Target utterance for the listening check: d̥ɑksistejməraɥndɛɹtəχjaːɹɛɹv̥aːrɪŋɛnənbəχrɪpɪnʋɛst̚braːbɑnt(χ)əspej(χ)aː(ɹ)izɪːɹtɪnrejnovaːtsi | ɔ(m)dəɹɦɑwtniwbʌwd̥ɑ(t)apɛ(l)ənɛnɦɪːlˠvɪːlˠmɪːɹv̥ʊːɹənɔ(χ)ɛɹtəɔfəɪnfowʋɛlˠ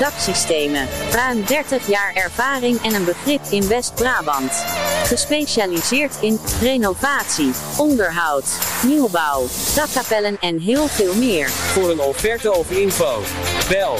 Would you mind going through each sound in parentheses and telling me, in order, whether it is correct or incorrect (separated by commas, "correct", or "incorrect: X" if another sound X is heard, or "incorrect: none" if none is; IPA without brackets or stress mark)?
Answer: correct, incorrect: ʃ, incorrect: l, incorrect: n, incorrect: k, correct, incorrect: f